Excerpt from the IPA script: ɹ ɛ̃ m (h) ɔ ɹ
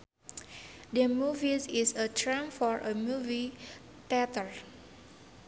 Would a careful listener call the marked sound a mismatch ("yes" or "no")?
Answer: yes